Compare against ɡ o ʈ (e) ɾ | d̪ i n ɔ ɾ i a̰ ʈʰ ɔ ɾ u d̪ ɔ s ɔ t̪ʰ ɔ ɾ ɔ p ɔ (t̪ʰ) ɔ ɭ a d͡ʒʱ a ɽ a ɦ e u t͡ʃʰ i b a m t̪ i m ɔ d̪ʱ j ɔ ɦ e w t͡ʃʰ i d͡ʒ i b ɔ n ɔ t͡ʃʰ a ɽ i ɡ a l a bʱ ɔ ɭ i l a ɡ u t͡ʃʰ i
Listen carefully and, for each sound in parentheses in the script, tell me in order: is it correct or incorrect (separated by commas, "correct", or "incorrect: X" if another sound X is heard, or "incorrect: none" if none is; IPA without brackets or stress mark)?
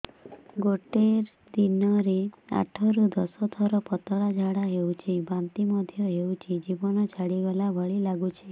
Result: correct, incorrect: t̪